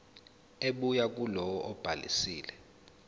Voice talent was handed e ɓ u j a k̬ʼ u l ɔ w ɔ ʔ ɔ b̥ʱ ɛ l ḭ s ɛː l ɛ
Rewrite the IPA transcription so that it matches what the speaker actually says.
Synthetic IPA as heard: e ɓ u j a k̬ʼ u l ɔ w ɔ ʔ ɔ b̥ʱ a l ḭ s iː l ɛ